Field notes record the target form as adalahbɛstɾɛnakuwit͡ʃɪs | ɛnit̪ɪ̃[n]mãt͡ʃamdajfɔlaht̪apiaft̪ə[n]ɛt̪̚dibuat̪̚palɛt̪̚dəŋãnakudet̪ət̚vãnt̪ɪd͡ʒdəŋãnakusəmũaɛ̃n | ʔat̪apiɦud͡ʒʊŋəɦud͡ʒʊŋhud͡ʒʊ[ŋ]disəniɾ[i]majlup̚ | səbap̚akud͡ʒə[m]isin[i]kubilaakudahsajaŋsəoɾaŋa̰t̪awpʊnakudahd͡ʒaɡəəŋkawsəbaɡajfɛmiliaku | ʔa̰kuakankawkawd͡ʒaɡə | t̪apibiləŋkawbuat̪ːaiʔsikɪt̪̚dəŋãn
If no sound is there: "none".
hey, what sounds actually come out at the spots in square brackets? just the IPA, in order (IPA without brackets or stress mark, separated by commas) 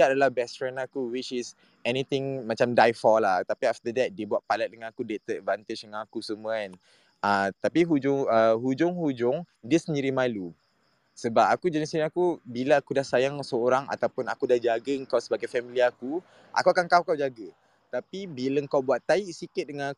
ŋ, d, ŋ, i, n, a